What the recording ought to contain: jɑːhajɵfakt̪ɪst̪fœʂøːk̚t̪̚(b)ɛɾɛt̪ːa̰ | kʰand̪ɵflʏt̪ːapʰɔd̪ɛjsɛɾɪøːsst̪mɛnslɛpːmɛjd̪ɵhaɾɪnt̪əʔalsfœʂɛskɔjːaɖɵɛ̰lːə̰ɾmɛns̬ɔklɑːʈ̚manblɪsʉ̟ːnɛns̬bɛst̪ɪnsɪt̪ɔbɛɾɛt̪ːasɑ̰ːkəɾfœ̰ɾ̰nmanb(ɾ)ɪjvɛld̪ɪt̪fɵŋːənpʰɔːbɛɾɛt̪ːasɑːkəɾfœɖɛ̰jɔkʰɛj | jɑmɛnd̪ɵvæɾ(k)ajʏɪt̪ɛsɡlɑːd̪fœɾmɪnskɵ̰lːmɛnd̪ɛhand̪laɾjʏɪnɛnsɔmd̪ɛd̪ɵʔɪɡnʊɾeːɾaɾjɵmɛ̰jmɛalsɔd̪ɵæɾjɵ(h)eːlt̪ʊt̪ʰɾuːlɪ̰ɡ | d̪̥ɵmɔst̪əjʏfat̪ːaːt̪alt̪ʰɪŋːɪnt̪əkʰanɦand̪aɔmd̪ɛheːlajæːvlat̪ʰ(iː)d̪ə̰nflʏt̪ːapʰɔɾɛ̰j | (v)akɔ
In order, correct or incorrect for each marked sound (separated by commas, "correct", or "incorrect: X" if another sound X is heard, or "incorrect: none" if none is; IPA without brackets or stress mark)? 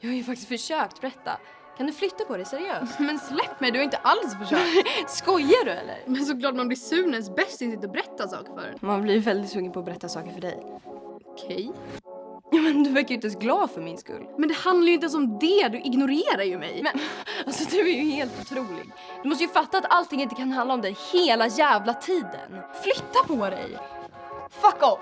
correct, incorrect: l, correct, correct, correct, incorrect: f